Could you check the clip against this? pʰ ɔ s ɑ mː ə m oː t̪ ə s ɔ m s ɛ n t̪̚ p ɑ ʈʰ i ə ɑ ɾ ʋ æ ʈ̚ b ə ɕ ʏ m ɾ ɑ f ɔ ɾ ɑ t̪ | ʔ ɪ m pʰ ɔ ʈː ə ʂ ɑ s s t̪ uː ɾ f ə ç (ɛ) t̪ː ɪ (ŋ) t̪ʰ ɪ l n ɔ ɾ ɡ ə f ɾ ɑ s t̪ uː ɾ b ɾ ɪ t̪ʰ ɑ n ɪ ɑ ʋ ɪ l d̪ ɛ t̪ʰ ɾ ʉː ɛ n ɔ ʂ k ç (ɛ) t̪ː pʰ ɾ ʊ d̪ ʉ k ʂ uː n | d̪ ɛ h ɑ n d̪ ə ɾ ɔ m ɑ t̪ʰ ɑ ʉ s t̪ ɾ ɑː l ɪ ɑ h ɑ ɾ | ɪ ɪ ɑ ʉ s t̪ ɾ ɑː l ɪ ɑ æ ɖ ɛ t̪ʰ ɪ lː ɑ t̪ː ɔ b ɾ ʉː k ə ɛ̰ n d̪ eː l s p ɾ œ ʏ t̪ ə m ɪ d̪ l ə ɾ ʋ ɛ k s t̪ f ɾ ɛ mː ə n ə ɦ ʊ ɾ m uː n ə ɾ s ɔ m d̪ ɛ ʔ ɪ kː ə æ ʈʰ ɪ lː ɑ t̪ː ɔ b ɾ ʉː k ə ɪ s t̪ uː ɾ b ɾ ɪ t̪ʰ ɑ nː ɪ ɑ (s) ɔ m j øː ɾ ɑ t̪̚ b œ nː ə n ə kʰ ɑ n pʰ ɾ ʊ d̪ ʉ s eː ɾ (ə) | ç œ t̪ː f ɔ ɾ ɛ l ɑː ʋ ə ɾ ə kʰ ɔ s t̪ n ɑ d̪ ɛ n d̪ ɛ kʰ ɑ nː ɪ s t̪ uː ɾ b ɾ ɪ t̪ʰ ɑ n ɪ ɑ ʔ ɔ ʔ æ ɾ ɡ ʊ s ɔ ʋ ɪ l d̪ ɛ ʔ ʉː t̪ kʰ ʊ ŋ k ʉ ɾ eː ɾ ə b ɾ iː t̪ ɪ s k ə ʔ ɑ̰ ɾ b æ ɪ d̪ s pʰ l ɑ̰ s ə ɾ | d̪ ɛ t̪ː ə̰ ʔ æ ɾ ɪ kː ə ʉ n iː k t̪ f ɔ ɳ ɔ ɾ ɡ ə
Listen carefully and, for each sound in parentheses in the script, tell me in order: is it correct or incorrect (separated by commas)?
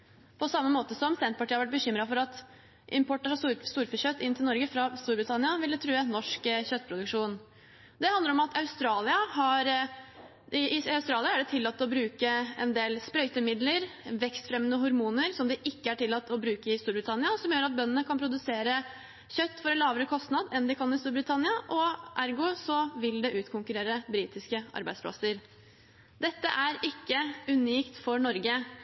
incorrect, incorrect, incorrect, correct, correct